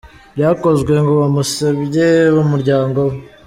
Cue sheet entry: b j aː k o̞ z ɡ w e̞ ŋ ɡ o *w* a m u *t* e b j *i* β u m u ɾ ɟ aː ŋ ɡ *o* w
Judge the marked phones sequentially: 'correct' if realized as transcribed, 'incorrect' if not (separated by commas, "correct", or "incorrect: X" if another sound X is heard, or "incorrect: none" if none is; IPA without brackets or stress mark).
incorrect: β, incorrect: s, incorrect: e, correct